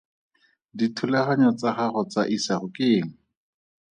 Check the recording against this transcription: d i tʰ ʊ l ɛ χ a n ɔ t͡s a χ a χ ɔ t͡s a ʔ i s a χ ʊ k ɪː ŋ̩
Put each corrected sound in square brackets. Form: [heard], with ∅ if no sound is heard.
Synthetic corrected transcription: d i tʰ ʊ l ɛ χ a [ɲ] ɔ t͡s a χ a χ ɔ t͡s a ʔ i s a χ ʊ k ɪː ŋ̩